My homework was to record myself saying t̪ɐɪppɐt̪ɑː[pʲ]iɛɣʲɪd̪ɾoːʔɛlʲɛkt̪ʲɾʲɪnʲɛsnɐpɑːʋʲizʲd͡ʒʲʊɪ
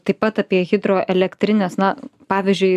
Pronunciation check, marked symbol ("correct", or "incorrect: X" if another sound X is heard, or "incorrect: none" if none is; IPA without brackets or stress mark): correct